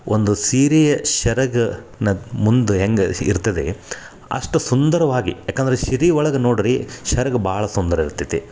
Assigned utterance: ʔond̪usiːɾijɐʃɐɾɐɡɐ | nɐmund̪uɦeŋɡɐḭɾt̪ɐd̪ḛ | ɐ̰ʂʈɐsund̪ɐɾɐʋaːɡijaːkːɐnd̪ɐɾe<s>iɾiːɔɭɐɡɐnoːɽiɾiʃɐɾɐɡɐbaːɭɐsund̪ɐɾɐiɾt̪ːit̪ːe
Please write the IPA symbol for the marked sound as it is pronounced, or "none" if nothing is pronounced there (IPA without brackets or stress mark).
ʃ